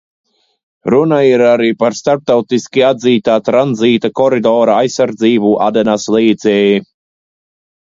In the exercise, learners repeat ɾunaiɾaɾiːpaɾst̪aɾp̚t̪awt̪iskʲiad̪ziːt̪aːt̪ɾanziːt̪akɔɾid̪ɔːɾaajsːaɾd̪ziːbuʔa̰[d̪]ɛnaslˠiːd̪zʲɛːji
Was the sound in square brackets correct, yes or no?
yes